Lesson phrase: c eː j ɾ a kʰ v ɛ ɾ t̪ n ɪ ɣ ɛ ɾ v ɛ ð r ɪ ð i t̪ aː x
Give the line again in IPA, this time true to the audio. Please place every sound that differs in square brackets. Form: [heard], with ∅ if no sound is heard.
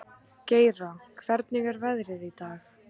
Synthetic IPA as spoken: c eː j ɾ a kʰ v ɛ ɾ t̪ n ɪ ɣ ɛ ɾ v ɛ ð [ɾ] ɪ ð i t̪ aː x